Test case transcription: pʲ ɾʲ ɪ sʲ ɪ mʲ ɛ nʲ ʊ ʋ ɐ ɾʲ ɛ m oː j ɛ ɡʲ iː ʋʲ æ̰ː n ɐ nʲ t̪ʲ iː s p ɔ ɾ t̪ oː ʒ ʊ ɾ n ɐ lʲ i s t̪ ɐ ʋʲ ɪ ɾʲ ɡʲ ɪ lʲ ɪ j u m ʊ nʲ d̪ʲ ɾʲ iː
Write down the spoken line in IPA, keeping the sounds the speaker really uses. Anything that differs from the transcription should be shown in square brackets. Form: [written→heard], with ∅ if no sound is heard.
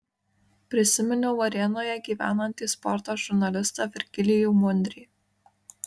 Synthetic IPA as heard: pʲ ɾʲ ɪ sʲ ɪ mʲ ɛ nʲ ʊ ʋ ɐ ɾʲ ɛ [m→n] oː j ɛ ɡʲ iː ʋʲ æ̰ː n ɐ nʲ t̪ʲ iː s p ɔ ɾ t̪ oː ʒ ʊ ɾ n ɐ lʲ [i→ɪ] s t̪ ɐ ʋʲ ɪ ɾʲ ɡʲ ɪ lʲ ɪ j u m ʊ nʲ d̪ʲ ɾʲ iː